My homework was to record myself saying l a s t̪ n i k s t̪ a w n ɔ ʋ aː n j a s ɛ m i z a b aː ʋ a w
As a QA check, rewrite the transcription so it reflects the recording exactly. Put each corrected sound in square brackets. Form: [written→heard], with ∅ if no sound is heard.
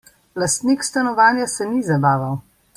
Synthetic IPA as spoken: l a s t̪ n i k s t̪ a [w→∅] n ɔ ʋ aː n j a s ɛ [m→n] i z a b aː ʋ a w